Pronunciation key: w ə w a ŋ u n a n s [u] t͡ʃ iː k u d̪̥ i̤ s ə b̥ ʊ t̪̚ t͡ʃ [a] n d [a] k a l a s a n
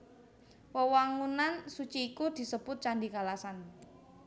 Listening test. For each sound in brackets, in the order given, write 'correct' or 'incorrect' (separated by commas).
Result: correct, correct, incorrect